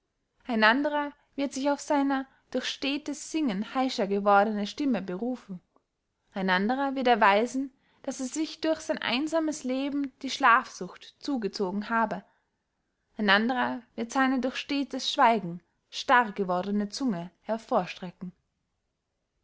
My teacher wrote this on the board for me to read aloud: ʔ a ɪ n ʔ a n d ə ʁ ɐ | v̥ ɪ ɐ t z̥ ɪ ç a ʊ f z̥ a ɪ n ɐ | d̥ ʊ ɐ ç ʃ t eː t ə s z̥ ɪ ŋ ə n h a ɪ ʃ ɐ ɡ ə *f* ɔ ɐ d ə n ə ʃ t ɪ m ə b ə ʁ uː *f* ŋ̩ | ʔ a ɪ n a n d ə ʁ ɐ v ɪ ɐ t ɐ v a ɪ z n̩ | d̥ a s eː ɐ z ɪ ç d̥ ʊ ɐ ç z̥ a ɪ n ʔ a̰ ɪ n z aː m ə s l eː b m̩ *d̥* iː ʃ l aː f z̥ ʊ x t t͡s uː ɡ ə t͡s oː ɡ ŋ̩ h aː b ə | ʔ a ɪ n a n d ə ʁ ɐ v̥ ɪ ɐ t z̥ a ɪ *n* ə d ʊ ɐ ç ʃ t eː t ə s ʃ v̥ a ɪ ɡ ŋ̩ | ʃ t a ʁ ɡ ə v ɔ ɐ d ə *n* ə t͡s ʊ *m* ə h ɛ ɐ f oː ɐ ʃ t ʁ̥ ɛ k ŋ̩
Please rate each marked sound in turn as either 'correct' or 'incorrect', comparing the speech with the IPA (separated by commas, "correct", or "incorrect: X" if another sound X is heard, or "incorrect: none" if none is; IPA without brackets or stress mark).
incorrect: v, correct, correct, correct, correct, incorrect: ŋ